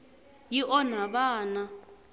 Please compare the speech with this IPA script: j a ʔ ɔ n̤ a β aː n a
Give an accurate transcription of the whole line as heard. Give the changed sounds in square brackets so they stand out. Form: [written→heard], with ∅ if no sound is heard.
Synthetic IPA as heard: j [a→i] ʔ ɔ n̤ a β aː n a